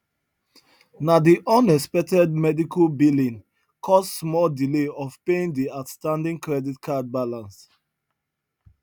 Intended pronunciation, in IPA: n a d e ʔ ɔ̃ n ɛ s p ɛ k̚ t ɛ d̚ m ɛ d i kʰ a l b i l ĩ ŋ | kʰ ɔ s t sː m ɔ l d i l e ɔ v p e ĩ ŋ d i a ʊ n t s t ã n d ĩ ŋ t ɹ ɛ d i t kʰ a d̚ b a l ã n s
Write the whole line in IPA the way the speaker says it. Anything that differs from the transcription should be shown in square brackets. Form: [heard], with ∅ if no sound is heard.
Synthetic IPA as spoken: n a d [i] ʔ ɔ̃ n ɛ s p ɛ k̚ t ɛ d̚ m ɛ d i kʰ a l b i l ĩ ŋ | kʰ ɔ s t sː m ɔ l d i l e ɔ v p e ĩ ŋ d i a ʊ [∅] t s t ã n d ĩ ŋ [k] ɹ ɛ d i t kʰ a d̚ b a l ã n s